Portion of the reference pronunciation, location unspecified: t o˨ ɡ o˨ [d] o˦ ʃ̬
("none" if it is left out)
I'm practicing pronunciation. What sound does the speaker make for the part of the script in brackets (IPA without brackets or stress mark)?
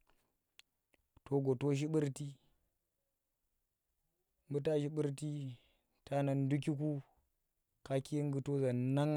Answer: t